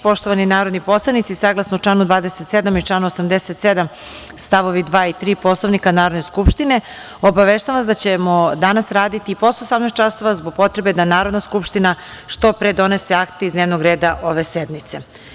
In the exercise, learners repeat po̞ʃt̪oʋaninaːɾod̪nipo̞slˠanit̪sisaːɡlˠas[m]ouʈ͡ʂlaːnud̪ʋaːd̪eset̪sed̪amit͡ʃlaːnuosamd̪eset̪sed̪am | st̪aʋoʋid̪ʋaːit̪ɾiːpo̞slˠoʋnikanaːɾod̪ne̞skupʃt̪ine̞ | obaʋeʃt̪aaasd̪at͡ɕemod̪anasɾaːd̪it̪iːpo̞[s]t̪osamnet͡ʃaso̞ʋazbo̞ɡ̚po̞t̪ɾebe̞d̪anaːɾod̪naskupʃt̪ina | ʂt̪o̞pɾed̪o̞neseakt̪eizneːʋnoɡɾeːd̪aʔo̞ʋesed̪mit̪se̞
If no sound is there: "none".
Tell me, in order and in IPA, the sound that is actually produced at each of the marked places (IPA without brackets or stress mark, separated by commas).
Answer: n, s